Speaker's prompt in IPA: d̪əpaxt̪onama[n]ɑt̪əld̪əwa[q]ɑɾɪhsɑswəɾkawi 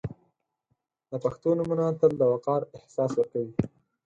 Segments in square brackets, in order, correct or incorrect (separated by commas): correct, correct